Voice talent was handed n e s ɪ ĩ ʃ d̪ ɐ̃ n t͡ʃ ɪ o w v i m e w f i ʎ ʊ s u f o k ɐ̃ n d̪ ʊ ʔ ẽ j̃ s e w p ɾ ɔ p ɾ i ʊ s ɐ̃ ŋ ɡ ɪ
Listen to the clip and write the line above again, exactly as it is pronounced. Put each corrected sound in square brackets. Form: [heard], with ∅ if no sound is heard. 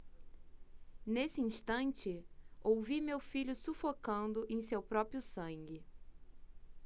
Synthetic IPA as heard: n e s ɪ ĩ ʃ [t̪] ɐ̃ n t͡ʃ ɪ o w v i m e w f i ʎ ʊ s u f o k ɐ̃ n d̪ ʊ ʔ ẽ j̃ s e w p ɾ ɔ p ɾ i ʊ s ɐ̃ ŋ ɡ ɪ